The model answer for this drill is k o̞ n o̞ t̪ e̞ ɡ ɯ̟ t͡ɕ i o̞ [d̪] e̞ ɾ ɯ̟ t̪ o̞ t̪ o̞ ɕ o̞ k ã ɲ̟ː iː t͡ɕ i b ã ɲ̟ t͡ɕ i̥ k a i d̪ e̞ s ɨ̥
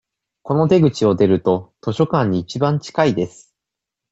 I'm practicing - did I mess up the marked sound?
no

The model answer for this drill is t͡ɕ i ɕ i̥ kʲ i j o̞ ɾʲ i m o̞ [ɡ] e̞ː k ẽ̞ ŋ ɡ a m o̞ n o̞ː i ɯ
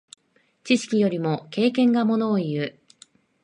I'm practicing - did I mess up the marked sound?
yes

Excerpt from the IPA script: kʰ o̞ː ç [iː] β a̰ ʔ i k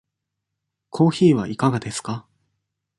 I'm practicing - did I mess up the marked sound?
no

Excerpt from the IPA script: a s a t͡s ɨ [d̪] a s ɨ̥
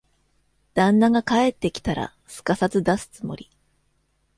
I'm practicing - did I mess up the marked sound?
no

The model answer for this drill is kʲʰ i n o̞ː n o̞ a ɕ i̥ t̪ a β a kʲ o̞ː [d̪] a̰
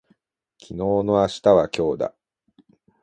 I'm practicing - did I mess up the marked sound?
no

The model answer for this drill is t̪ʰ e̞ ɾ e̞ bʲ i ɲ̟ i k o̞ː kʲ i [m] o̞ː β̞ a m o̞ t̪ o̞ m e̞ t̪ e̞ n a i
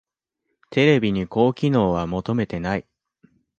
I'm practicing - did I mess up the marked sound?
yes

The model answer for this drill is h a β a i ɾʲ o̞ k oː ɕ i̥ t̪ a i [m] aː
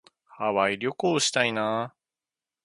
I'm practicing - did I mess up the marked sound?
yes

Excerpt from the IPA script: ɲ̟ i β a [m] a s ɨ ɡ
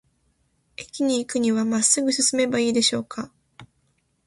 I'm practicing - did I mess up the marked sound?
no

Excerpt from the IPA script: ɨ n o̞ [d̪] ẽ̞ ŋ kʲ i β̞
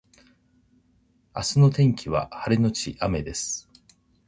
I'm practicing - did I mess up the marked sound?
yes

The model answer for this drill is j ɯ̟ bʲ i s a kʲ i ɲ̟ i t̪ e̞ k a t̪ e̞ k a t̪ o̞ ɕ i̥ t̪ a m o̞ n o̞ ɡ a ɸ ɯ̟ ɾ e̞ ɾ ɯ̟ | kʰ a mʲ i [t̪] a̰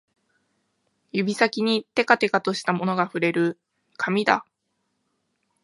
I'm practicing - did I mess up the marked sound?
yes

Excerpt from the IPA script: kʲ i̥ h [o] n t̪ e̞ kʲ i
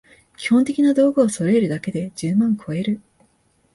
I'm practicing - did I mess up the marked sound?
yes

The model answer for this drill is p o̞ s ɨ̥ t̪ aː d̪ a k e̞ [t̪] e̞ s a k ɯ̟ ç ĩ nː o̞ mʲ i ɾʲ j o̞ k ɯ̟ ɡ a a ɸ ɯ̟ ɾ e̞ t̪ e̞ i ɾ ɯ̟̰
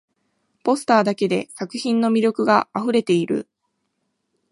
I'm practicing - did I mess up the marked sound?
yes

